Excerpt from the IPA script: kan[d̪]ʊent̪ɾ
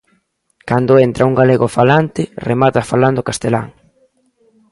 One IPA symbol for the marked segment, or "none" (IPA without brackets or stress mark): d̪